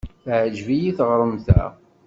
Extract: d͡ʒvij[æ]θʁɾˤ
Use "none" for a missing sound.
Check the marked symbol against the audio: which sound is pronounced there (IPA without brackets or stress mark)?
i